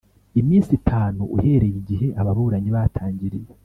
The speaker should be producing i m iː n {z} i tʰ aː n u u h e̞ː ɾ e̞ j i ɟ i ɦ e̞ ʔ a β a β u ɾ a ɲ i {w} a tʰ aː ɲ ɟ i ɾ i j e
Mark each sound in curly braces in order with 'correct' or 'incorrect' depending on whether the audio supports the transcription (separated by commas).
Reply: incorrect, incorrect